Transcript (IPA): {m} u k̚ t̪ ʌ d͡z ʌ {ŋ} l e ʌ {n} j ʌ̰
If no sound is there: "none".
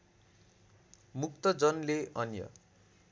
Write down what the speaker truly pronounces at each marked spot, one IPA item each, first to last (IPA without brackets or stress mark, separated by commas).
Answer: m, n, n